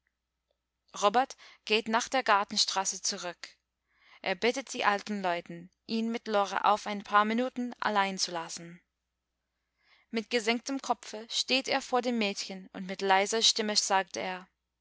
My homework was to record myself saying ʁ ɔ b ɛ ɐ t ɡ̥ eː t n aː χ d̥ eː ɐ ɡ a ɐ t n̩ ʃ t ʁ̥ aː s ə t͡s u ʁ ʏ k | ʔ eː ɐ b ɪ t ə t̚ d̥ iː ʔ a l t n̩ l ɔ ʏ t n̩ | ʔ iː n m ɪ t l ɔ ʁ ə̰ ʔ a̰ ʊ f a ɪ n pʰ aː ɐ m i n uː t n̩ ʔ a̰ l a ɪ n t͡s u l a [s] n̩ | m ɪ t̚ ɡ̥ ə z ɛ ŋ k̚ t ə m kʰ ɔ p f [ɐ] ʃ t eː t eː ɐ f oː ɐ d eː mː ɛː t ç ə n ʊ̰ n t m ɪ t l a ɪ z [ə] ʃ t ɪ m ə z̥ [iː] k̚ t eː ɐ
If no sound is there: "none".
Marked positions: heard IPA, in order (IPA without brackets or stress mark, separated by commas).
s, ə, ɐ, aː